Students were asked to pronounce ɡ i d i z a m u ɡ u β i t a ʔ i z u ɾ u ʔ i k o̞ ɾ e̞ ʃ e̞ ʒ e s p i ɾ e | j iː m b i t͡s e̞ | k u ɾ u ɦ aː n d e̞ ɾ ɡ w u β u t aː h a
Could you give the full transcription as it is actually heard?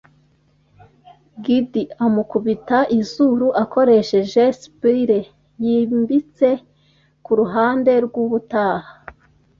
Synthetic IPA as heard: ɡ i d i a m u k u β i t a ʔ i z u ɾ u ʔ a k o̞ ɾ e̞ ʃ e̞ ʒ e s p i ɾ e | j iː m b i t͡s e̞ | k u ɾ u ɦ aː n d e̞ ɾ ɡ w u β u t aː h a